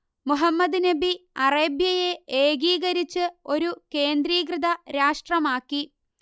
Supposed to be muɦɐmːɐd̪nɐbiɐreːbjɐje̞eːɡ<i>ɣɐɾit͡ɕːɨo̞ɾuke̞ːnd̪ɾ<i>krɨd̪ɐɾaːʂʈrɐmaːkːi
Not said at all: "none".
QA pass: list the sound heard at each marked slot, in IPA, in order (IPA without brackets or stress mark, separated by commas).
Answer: iː, iː